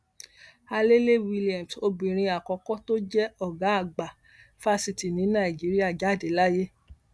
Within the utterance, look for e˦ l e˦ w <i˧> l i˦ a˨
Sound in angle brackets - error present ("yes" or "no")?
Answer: no